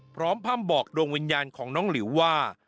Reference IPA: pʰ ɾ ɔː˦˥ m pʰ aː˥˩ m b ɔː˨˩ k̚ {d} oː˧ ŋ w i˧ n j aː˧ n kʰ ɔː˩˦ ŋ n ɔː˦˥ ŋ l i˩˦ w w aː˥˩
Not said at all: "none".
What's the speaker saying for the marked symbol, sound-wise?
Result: d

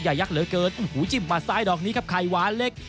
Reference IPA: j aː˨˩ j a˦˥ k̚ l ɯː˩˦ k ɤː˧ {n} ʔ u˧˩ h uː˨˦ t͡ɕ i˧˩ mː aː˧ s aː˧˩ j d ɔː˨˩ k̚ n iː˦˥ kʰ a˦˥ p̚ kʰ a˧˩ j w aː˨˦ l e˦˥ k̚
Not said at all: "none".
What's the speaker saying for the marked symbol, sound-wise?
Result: n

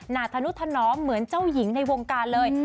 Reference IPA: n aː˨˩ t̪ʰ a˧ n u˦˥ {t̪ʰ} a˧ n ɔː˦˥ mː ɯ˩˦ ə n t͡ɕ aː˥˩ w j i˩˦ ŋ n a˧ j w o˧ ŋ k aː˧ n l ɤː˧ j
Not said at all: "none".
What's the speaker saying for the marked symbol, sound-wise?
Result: t̪ʰ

